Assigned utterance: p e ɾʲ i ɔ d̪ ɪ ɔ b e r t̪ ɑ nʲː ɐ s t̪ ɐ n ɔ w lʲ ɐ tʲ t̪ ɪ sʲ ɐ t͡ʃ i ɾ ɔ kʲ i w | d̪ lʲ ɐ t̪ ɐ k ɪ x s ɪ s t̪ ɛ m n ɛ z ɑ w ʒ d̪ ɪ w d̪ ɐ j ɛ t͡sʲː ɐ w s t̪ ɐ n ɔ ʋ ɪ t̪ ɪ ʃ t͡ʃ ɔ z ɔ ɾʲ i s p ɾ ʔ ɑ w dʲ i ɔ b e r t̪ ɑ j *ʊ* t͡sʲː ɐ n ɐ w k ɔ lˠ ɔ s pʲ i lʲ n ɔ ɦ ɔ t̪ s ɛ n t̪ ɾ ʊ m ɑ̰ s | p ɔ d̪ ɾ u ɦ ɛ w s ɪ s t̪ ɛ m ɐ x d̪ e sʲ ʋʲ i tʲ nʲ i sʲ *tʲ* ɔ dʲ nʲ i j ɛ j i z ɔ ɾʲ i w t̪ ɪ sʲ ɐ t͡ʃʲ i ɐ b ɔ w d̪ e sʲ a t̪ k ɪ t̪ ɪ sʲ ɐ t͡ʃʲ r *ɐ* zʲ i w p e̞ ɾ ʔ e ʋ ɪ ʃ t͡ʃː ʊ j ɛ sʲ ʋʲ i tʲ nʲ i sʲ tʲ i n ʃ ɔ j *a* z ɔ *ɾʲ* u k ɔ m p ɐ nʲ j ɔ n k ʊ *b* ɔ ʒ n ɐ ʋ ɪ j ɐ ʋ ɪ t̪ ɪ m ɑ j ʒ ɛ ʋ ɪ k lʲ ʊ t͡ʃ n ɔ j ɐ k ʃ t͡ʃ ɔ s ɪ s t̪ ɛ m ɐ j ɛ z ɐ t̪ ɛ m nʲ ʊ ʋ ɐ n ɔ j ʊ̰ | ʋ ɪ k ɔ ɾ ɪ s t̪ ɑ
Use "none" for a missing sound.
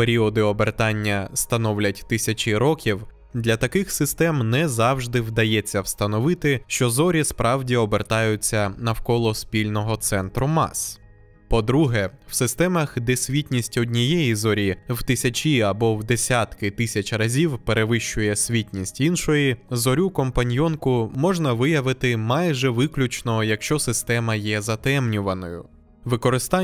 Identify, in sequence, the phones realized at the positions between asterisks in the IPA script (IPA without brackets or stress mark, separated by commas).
ʊ, tʲ, ɐ, i, ɾʲ, m